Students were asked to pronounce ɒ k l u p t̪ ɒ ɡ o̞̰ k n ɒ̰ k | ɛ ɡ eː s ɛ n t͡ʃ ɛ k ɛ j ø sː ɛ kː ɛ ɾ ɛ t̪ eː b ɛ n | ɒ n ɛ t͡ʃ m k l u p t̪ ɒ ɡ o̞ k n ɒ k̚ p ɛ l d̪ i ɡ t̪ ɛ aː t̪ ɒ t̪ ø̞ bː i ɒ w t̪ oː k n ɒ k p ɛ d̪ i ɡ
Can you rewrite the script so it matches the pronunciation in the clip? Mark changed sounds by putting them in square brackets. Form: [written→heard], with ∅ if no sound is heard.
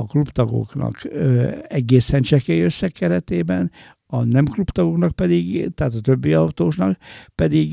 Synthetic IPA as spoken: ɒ k l u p t̪ ɒ ɡ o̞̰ k n ɒ̰ k | ɛ ɡ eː s ɛ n t͡ʃ ɛ k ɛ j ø sː ɛ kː ɛ ɾ ɛ t̪ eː b ɛ n | ɒ n ɛ [t͡ʃ→∅] m k l u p t̪ ɒ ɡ o̞ k n ɒ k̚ p ɛ [l→∅] d̪ i ɡ t̪ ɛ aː t̪ ɒ t̪ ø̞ bː i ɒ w t̪ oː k n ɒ k p ɛ d̪ i ɡ